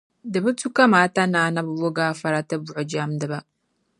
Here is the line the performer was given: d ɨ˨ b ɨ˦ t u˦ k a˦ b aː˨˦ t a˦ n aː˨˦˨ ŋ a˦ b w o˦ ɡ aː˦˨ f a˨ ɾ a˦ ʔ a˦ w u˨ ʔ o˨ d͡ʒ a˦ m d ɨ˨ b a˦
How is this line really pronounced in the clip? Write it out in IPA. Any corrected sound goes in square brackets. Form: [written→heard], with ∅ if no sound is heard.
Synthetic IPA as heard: d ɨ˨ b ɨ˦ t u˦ k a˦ [b→m] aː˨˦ t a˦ n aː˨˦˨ [ŋ→n] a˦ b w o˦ ɡ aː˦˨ f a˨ ɾ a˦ [ʔ→t] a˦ [w→b] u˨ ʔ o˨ d͡ʒ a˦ m d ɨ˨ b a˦